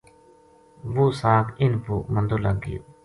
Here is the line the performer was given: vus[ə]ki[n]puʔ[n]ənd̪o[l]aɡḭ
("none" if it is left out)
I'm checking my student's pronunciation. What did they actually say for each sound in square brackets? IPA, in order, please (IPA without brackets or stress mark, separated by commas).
a, n, m, l